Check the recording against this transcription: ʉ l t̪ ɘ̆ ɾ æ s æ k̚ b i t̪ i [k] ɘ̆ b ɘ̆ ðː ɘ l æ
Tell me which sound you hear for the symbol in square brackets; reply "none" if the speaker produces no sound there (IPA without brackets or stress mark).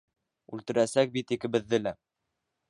k